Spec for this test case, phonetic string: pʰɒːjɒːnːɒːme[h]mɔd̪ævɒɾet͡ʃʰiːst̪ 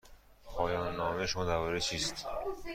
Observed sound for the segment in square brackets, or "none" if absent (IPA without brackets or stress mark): ʃ